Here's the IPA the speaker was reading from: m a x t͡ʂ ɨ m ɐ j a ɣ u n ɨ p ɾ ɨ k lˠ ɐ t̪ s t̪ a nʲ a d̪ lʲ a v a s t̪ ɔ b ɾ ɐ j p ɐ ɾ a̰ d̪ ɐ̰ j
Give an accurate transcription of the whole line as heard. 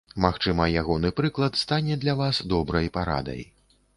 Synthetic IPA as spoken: m a x t͡ʂ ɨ m ɐ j a ɣ ɔ n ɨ p ɾ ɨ k lˠ ɐ t̪ s t̪ a nʲ ɛ d̪ lʲ a v a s d̪ ɔ b ɾ ɐ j p a ɾ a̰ d̪ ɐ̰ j